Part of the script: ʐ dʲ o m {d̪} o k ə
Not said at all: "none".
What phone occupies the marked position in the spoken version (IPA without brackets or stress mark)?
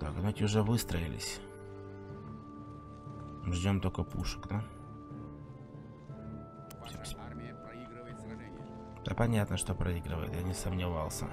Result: t̪